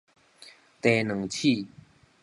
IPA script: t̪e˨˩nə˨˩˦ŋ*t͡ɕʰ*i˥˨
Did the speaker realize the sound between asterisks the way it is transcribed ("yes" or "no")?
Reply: yes